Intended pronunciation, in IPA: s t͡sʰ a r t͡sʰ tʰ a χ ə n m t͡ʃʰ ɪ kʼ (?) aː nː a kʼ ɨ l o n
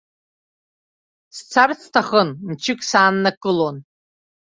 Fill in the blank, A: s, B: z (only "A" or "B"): A